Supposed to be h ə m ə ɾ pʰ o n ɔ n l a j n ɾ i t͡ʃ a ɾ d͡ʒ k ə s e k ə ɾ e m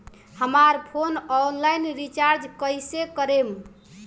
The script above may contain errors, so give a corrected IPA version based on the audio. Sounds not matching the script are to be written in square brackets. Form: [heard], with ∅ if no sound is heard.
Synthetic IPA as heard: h ə m [a] ɾ pʰ o n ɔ n l a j n ɾ i t͡ʃ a ɾ d͡ʒ k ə s e k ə ɾ e m